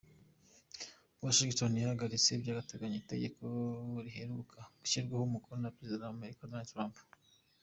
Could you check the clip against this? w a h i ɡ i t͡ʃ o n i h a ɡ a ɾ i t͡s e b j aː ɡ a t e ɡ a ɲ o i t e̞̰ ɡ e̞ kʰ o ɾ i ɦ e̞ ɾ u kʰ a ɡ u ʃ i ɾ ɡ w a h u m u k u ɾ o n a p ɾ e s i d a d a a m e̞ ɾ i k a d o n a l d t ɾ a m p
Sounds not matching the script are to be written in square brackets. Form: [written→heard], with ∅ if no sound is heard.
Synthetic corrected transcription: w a [h→ʃ] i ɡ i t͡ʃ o n i h a ɡ a ɾ i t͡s e b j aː ɡ a t e ɡ a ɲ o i t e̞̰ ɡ e̞ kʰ o ɾ i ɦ e̞ ɾ u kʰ a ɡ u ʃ i ɾ ɡ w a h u m u k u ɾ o n a p ɾ e [s→z] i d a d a a m e̞ ɾ i k a d o n a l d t ɾ a m p